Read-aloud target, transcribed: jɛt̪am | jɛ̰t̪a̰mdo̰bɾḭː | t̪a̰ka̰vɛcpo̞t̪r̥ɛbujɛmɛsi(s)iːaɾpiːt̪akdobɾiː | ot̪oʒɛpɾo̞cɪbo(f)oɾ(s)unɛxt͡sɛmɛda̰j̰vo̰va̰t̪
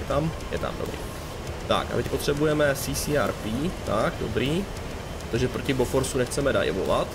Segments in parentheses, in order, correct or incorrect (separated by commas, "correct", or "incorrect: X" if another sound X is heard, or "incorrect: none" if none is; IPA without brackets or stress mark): correct, correct, correct